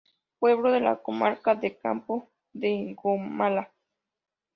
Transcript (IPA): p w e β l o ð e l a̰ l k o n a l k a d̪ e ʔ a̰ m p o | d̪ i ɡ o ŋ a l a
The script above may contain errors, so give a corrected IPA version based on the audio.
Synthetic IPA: p w e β l o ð e l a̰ k o m a ɾ k a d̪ e k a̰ m p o | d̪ e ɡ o m a l a